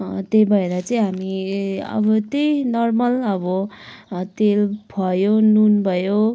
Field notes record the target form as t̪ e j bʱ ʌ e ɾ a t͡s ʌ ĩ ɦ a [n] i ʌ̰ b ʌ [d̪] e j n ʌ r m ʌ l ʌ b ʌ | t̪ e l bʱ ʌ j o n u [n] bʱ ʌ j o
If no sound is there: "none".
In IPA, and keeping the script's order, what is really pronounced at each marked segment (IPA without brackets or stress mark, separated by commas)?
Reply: m, t̪, n